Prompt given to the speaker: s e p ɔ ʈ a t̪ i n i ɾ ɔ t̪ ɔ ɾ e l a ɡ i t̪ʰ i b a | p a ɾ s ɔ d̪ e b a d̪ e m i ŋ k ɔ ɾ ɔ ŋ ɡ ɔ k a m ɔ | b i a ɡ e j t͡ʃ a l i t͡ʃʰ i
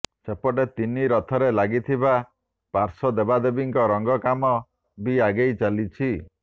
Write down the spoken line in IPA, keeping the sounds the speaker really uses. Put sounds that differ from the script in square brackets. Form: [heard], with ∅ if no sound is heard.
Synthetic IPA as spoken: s e p ɔ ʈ [e] t̪ i n i ɾ ɔ [t̪ʰ] ɔ ɾ e l a ɡ i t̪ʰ i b a | p a ɾ s ɔ d̪ e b a d̪ e [b] i ŋ k ɔ ɾ ɔ ŋ ɡ ɔ k a m ɔ | b i a ɡ e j t͡ʃ a l i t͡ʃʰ i